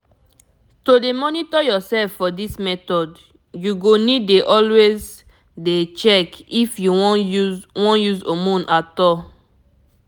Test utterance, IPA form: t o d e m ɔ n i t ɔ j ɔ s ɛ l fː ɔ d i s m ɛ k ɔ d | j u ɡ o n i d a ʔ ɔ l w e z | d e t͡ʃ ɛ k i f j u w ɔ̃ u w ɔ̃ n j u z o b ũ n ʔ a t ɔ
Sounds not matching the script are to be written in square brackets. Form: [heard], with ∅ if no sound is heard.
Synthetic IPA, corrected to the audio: t o d e m ɔ n i t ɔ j ɔ s ɛ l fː ɔ d i s m ɛ [t] ɔ d | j u ɡ o n i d [e] ʔ ɔ l w e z | d e t͡ʃ ɛ k i f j u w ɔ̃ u w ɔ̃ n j u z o [m] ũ n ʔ a t ɔ